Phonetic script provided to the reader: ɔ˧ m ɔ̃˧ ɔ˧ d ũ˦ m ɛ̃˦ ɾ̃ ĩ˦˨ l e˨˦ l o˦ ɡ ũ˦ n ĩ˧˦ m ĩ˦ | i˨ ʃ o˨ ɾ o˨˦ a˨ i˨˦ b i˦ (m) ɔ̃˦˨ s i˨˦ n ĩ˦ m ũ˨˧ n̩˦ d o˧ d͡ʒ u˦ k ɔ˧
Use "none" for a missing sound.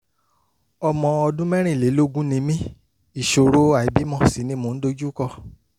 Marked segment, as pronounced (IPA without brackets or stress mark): m